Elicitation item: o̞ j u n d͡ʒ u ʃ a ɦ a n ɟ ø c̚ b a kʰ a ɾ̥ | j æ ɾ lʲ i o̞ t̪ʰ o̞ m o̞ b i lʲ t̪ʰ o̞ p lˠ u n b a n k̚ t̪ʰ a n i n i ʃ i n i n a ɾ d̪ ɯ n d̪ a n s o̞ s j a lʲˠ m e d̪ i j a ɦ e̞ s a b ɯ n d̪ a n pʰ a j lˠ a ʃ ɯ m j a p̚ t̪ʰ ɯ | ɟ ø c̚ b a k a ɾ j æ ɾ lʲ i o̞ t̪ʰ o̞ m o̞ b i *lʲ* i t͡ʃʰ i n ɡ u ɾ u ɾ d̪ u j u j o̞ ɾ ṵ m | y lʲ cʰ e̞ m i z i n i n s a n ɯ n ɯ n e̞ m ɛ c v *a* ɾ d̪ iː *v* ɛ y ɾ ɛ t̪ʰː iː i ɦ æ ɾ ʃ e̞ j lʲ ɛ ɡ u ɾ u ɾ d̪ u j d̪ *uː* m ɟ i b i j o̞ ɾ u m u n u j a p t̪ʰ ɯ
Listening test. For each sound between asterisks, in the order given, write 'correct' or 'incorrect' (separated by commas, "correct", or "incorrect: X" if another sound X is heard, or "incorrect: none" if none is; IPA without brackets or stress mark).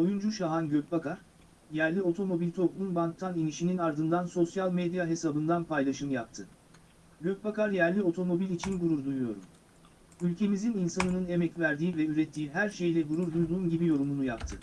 correct, incorrect: æ, correct, correct